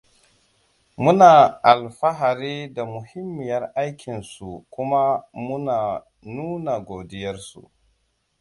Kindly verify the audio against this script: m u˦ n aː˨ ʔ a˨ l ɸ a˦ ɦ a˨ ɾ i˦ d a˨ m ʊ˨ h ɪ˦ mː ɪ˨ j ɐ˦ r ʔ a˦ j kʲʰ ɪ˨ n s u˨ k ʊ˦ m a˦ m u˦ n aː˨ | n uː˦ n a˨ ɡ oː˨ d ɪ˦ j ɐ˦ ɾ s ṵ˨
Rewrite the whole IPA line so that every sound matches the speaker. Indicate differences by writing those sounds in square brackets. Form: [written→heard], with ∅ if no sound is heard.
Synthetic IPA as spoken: m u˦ n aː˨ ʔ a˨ l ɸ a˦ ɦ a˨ ɾ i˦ d a˨ m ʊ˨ h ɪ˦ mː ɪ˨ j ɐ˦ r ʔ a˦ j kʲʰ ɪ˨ n s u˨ k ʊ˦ m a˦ m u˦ n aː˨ | n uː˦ n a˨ ɡ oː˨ d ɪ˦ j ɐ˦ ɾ s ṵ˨